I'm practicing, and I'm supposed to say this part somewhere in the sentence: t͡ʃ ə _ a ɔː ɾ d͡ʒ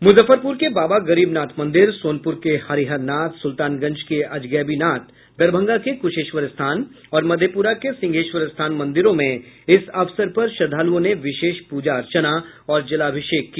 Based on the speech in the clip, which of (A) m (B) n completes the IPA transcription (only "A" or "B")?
B